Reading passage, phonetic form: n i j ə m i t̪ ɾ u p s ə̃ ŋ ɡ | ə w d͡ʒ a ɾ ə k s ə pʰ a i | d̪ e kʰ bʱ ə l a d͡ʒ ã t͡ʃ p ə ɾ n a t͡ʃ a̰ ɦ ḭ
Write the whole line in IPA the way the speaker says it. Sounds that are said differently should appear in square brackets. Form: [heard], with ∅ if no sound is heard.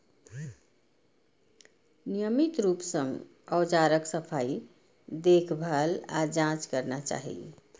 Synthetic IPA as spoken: n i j ə m i t̪ ɾ u p s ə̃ ŋ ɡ | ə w d͡ʒ a ɾ ə k s ə pʰ a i | d̪ e kʰ bʱ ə l a d͡ʒ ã t͡ʃ [k] ə ɾ n a t͡ʃ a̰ ɦ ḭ

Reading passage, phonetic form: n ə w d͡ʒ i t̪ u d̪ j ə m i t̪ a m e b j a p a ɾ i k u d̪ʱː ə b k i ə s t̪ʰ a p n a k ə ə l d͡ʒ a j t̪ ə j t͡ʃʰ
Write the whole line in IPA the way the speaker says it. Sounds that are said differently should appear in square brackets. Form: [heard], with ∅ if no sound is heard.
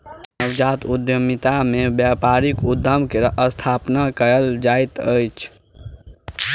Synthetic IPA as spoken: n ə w d͡ʒ [a] t̪ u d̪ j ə m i t̪ a m e b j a p a ɾ i k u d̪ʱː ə [m] k [e] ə s t̪ʰ a p n a k ə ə l d͡ʒ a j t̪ ə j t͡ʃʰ

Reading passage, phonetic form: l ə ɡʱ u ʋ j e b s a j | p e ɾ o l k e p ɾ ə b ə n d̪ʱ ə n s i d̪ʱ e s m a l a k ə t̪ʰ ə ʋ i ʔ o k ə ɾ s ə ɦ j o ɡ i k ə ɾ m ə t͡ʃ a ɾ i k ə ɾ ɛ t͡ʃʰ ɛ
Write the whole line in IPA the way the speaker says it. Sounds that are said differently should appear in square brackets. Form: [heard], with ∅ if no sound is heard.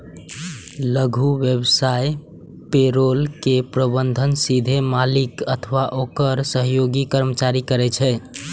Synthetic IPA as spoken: l ə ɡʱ u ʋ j e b s a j | p e ɾ o l k e p ɾ ə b ə n d̪ʱ ə n s i d̪ʱ e [∅] m a l [i] k ə t̪ʰ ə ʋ [a] ʔ o k ə ɾ s ə ɦ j o ɡ i k ə ɾ m ə t͡ʃ a ɾ i k ə ɾ ɛ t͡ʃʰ ɛ

